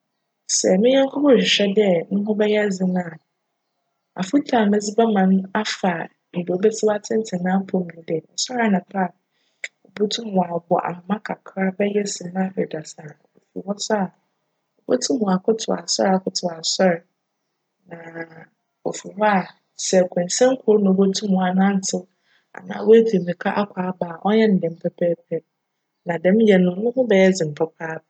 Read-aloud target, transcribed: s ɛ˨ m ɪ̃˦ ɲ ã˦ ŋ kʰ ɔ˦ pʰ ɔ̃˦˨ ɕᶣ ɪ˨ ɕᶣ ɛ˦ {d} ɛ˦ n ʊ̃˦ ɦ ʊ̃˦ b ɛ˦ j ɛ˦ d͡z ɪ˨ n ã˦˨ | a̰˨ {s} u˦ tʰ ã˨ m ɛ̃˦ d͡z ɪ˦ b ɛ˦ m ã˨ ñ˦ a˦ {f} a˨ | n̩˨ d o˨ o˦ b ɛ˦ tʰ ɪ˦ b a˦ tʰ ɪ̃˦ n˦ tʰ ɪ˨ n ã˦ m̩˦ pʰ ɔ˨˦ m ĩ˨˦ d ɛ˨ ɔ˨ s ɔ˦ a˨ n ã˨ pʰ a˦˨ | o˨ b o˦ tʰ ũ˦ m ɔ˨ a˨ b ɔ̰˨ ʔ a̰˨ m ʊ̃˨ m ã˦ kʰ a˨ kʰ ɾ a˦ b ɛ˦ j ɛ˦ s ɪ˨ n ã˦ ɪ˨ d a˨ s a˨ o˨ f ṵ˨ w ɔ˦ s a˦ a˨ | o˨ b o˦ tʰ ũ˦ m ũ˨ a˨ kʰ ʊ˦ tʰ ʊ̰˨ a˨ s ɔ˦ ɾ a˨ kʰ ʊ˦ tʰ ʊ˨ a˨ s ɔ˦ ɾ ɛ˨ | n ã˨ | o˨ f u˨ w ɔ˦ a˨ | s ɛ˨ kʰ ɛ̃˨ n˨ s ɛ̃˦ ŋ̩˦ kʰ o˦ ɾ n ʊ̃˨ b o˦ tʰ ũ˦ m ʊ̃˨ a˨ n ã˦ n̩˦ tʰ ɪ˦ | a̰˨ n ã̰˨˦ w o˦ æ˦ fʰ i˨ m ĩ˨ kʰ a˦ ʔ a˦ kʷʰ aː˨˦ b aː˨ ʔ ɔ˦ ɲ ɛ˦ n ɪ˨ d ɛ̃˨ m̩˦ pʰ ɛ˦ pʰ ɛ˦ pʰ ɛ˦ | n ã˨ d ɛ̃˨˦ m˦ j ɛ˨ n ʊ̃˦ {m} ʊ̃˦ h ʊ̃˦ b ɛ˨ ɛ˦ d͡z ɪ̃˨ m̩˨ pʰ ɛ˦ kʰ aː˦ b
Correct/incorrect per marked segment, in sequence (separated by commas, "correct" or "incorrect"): correct, incorrect, correct, incorrect